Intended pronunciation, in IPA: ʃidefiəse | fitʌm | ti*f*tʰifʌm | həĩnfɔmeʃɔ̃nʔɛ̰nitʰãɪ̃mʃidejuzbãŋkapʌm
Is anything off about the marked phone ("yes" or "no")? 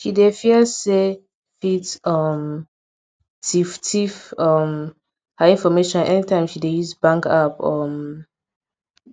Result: no